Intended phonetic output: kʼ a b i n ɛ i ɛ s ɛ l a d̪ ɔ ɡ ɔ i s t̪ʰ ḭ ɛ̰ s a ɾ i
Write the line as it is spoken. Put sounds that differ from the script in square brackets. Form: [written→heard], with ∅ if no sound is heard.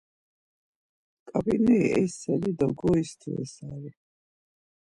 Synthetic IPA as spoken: kʼ a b i n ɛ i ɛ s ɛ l [a→i] d̪ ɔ ɡ ɔ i s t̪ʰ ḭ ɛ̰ s a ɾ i